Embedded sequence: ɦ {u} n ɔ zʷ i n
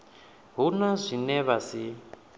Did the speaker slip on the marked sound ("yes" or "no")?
no